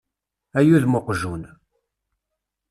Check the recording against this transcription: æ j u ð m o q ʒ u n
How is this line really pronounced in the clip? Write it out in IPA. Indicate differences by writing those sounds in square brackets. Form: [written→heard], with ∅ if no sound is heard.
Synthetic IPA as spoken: æ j u ð m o q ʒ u n